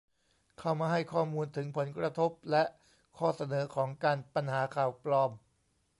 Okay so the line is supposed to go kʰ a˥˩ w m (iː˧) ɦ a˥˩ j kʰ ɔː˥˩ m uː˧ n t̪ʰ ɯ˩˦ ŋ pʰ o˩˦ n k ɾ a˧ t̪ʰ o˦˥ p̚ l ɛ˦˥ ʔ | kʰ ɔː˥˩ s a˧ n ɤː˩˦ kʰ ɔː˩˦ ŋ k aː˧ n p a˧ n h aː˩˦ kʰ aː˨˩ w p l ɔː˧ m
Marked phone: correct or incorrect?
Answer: incorrect: aː˧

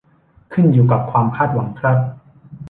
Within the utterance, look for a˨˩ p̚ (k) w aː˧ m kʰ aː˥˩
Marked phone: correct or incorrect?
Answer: incorrect: kʰ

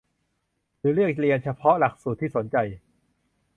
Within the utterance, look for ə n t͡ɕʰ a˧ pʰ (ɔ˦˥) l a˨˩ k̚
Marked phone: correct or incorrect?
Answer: correct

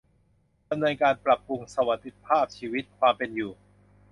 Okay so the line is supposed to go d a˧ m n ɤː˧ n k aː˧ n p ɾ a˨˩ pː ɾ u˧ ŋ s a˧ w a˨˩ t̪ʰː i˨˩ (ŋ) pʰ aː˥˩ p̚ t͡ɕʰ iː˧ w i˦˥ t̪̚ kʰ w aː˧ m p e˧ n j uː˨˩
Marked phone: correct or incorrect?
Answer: incorrect: none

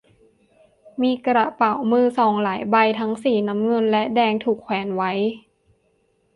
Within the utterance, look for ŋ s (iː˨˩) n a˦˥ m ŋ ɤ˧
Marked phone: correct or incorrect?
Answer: correct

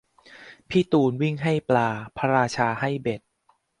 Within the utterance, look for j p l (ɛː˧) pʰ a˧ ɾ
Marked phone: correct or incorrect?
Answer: incorrect: aː˧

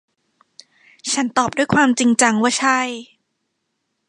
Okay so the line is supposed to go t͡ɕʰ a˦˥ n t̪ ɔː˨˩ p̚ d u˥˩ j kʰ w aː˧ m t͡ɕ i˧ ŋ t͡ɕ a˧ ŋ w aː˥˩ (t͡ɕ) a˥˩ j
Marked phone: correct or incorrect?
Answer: incorrect: t͡ɕʰ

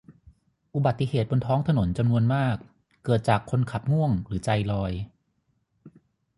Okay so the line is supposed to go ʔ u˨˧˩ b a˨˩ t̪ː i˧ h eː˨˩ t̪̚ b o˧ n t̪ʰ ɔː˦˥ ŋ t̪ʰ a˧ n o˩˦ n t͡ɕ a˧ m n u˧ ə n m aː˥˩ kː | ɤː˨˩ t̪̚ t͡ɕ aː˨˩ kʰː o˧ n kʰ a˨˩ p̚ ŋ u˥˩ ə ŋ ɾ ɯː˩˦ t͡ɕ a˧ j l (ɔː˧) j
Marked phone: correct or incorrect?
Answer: correct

